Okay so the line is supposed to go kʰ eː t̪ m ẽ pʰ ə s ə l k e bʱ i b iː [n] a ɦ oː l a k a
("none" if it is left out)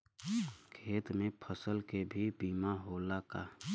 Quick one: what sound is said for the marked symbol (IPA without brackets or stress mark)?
m